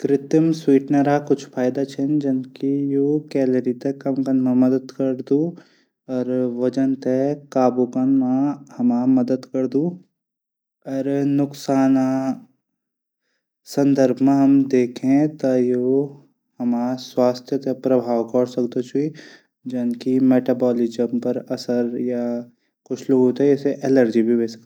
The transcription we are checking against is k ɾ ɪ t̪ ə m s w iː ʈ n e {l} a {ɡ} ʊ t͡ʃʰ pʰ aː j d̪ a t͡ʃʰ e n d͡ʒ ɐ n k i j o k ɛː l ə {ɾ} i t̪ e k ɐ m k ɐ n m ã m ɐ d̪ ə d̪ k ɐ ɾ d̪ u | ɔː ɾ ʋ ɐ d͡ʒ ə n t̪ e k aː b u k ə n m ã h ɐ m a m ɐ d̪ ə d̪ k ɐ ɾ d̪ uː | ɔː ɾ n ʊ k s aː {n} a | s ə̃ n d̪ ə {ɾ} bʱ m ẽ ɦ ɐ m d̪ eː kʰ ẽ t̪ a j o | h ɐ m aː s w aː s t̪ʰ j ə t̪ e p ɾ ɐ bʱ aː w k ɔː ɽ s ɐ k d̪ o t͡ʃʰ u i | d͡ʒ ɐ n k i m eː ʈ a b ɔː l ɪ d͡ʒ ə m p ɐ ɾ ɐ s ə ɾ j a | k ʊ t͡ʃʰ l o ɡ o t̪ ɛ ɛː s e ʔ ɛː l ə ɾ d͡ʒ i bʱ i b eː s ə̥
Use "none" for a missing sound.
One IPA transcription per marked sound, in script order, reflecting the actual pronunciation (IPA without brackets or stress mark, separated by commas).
ɾ, k, ɾ, n, ɾ